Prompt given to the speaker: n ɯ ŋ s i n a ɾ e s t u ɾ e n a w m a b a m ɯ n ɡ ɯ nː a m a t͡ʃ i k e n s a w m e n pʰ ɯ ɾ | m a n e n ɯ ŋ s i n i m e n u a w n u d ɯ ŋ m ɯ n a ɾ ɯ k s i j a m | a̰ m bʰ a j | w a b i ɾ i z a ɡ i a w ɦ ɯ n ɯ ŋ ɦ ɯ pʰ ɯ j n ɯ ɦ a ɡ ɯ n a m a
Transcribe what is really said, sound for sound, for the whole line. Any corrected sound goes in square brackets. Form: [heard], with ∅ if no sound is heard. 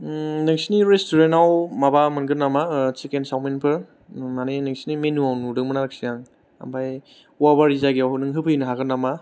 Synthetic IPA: n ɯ ŋ s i n [i] ɾ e s t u ɾ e n a w m a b a m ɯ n ɡ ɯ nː a m a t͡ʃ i k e n s a w m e n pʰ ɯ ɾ | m a n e n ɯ ŋ s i n i m e n u a w n u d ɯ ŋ m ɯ n a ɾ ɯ k s i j a [ŋ] | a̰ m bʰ a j | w a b [a] ɾ i z a ɡ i a w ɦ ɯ n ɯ ŋ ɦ ɯ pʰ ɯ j n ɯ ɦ a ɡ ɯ n a m a